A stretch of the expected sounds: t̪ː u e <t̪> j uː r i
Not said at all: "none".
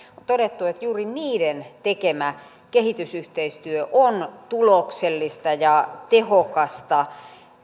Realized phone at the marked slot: t̪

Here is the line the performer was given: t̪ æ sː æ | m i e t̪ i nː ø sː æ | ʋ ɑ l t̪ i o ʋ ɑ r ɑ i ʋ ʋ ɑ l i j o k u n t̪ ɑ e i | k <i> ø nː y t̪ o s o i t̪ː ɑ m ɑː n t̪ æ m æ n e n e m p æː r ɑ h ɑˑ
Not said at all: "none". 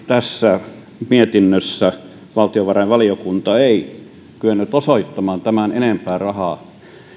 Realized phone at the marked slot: y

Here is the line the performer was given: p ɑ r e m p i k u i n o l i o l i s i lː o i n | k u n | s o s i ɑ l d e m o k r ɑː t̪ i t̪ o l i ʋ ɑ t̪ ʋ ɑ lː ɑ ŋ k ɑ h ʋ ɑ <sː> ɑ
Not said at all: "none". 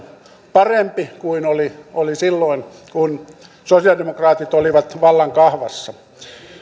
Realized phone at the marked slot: sː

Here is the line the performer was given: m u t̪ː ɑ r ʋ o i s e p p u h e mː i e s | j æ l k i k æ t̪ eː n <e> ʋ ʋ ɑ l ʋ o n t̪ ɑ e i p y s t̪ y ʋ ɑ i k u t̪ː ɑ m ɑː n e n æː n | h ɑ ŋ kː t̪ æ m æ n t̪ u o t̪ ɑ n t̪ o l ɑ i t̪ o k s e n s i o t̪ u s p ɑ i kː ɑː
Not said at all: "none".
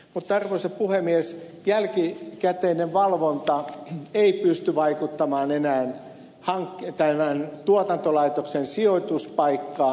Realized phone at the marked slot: e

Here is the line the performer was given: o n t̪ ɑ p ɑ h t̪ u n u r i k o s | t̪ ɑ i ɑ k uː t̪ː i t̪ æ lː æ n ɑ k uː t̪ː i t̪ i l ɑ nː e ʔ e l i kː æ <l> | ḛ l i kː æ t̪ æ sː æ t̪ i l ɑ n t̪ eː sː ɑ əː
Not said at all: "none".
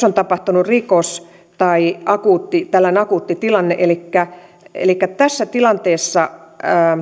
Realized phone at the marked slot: none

